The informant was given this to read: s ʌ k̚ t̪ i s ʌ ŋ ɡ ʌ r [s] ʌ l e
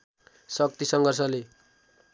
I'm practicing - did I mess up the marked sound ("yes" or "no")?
no